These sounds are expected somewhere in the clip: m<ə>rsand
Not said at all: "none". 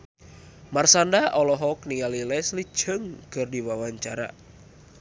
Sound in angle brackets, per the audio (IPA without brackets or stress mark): a